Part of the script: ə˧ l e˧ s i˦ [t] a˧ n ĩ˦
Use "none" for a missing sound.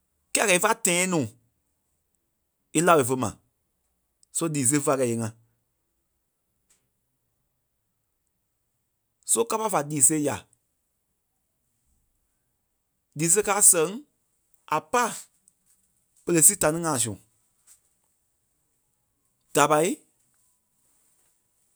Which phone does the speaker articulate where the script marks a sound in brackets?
t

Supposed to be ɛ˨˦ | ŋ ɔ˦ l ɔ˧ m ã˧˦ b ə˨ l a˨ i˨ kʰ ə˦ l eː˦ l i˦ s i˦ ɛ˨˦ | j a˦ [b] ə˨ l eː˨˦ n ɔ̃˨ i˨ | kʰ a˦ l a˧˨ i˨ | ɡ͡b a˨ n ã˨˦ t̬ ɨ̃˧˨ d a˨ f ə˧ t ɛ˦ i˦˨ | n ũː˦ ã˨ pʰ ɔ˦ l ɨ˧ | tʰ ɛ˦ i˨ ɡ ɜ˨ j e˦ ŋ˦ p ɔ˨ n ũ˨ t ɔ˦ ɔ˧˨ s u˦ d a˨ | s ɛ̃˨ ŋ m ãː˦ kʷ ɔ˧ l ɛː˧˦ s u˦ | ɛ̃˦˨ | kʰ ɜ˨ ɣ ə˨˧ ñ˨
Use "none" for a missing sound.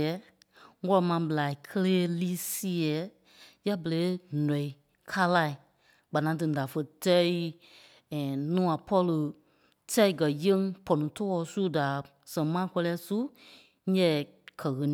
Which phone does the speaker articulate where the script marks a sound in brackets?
b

